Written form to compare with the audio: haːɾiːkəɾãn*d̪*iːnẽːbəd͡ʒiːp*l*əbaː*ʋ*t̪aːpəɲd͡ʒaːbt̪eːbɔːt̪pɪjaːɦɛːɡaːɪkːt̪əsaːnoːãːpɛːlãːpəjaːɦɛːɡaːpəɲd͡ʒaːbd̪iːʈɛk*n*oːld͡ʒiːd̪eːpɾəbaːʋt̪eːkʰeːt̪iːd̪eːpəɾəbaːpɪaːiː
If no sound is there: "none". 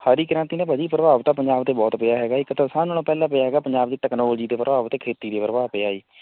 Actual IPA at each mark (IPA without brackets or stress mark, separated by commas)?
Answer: t̪, ɾ, ʋ, n